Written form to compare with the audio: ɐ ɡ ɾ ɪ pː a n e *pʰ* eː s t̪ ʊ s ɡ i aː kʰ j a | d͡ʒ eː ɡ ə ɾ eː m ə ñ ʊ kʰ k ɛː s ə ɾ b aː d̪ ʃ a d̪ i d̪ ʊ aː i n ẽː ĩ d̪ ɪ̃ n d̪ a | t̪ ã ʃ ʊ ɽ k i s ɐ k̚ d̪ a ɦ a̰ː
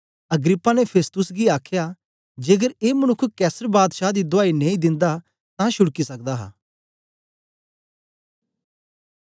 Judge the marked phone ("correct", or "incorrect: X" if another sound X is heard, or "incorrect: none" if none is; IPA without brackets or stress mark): correct